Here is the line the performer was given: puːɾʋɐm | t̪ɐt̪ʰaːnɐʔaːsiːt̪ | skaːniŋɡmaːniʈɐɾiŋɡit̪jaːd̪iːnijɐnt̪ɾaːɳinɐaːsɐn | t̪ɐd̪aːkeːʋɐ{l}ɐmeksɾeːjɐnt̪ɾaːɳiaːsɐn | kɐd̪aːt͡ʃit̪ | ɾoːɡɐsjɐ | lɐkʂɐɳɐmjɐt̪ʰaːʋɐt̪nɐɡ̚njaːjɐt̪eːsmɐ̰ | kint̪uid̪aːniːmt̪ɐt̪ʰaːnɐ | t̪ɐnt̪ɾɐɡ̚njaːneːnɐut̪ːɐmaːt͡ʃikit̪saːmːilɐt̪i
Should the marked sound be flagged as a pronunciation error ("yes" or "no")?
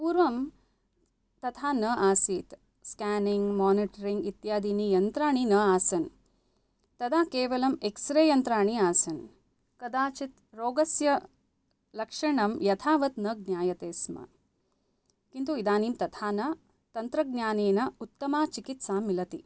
no